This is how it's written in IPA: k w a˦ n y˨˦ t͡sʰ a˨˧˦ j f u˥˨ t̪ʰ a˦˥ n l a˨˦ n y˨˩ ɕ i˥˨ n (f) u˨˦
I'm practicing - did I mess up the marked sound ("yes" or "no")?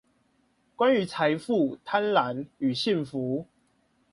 no